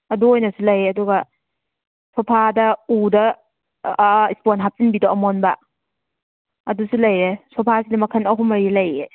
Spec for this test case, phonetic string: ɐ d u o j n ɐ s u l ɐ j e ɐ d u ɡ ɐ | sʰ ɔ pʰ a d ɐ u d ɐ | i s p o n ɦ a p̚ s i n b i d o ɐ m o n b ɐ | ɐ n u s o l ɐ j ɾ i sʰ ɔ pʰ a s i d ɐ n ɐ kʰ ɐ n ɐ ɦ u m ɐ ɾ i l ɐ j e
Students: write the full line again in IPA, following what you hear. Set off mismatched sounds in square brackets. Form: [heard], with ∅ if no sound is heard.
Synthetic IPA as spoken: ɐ d u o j n ɐ s u l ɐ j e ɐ d u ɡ ɐ | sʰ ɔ pʰ a d ɐ u d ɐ | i s p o n ɦ a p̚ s i n b i d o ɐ m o n b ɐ | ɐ [d] u s [u] l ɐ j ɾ [e] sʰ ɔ pʰ a s i d ɐ [m] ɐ kʰ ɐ n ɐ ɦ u m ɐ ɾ i l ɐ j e

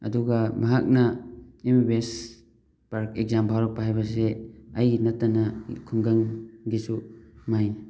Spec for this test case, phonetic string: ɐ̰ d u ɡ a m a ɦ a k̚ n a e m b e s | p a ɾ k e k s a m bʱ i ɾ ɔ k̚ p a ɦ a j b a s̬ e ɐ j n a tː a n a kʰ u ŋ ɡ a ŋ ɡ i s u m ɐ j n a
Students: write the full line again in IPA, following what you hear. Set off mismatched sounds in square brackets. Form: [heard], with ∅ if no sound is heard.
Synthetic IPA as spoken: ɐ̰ d u ɡ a m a ɦ a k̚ n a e m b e s | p a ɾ k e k [z] a m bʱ [a] ɾ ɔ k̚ p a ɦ a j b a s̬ e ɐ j n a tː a n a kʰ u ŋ ɡ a ŋ ɡ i s u m [a] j n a

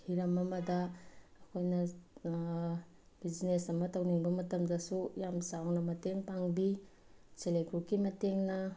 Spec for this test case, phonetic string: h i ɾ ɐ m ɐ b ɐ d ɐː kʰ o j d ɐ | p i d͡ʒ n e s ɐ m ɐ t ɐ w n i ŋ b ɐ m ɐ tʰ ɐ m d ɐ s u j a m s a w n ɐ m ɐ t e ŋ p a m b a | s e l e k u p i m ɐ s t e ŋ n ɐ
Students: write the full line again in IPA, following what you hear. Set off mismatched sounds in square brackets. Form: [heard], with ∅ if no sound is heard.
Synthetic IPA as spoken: h i ɾ ɐ m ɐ [m] ɐ d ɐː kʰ o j [n] ɐ | [b] i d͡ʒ n e s ɐ m ɐ t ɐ w n i ŋ b ɐ m ɐ [t] ɐ m d ɐ s u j a m s a w n ɐ m ɐ t e ŋ p a [ŋ] b [i] | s e l e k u [k] i m ɐ [∅] t e ŋ n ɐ

